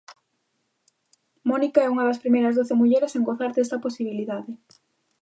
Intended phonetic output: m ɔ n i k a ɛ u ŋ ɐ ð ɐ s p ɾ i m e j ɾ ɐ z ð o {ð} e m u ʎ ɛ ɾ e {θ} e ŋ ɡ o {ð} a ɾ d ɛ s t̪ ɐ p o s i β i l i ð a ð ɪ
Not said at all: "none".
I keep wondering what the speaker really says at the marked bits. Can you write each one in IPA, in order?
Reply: θ, s, θ

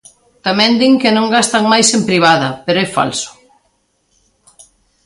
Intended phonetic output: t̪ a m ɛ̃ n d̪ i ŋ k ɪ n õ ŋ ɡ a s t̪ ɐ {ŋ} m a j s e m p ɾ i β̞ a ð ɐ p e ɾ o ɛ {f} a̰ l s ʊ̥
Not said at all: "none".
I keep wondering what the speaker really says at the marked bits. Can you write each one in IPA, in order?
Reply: ŋ, f

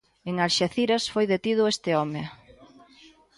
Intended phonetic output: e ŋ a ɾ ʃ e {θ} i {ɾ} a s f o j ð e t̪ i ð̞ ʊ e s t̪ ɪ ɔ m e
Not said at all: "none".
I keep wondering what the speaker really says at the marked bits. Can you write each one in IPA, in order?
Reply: θ, ɾ

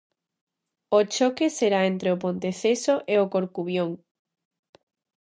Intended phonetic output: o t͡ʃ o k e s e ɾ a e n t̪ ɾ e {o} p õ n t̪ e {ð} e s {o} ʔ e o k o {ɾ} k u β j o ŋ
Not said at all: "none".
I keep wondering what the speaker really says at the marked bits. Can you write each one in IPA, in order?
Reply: o, θ, o, ɾ

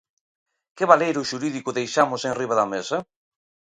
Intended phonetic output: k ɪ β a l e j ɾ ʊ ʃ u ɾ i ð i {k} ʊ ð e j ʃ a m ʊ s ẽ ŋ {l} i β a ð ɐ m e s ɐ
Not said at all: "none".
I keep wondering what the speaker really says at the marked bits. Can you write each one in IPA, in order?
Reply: k, r

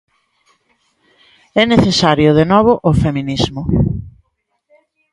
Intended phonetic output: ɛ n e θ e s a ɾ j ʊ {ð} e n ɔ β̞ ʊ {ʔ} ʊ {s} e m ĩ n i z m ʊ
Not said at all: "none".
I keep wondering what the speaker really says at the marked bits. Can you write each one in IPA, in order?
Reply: ð, ʔ, f

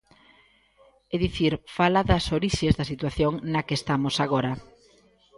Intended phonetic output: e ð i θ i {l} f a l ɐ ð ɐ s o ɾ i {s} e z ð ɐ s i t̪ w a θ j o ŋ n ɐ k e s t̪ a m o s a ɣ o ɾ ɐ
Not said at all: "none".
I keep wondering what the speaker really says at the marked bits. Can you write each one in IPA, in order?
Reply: ɾ, ʃ

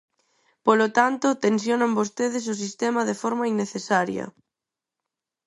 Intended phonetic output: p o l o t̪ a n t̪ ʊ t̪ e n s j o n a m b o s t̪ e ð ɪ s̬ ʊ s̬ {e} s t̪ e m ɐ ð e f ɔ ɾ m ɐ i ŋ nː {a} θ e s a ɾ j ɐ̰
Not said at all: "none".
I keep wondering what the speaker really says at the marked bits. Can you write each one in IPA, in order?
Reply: i, e

